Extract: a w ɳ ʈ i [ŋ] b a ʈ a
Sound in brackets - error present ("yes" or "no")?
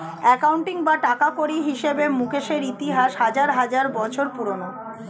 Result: no